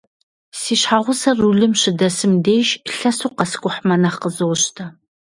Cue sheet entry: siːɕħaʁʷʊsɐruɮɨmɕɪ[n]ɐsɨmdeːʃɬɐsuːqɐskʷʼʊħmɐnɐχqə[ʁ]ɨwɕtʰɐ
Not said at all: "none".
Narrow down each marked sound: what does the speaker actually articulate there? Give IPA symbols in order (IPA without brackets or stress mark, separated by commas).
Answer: d, z